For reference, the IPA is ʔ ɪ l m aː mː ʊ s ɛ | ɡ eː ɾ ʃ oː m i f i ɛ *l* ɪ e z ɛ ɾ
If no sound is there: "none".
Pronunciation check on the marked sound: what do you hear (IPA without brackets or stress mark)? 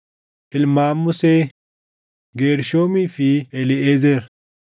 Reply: l